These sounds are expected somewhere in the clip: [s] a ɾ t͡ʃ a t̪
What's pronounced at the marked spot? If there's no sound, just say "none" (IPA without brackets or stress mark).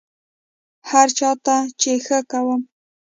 h